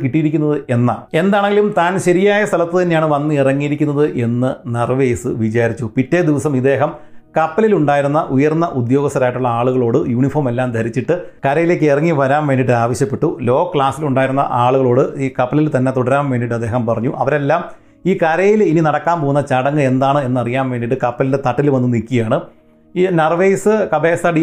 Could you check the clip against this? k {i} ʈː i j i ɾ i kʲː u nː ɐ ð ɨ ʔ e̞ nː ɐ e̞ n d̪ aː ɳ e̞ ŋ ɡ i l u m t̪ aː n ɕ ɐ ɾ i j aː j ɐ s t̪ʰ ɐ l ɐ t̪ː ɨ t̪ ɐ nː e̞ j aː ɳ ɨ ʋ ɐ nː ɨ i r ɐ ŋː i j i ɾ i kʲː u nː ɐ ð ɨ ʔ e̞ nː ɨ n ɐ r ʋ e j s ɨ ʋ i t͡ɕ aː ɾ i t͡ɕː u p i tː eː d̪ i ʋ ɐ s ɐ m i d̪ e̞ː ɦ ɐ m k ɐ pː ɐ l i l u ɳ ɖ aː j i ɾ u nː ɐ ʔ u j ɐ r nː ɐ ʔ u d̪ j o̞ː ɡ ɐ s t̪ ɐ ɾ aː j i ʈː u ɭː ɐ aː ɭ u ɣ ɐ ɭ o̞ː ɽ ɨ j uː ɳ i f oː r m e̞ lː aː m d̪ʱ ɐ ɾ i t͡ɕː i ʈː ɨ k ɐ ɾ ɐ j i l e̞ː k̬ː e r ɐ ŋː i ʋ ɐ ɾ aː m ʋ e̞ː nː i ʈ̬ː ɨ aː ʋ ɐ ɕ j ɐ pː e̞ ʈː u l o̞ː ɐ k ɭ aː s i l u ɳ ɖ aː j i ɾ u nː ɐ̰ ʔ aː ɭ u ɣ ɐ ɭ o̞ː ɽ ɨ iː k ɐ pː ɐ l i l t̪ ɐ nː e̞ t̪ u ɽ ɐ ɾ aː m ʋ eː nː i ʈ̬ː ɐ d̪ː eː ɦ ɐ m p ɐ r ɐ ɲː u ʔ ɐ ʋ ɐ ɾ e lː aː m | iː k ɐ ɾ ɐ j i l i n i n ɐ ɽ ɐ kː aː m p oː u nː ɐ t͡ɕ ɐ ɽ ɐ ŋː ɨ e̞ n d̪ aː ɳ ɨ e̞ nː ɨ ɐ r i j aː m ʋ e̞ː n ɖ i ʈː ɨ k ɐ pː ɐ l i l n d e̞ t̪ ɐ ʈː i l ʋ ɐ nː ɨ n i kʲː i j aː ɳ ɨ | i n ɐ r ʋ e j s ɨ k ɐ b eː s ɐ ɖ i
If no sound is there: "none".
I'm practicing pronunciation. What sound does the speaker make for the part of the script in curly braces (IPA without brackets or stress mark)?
i